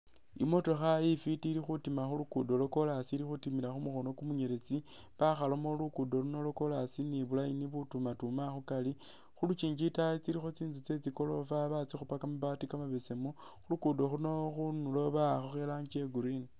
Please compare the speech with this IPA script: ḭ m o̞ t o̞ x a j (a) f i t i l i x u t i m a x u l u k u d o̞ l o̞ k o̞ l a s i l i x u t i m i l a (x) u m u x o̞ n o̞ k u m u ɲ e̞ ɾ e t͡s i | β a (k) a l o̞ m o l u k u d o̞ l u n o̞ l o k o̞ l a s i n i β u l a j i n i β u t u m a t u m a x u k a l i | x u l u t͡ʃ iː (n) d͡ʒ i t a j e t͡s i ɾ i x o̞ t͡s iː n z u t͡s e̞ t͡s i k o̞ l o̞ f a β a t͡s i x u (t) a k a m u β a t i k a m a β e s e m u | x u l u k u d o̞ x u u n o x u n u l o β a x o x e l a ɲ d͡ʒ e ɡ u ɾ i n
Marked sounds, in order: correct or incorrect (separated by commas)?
incorrect, correct, incorrect, incorrect, incorrect